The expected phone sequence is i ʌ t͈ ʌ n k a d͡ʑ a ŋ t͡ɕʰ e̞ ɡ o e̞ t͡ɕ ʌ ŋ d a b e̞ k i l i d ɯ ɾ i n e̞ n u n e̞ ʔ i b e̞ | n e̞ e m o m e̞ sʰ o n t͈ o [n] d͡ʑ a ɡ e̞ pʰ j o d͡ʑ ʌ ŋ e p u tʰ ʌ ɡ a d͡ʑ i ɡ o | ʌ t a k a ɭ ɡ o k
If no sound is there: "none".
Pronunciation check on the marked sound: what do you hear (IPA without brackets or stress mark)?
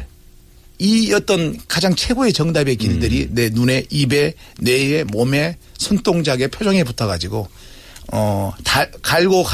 ŋ